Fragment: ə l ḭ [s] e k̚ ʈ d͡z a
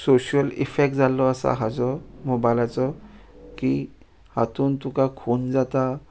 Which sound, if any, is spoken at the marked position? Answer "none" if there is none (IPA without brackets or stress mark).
f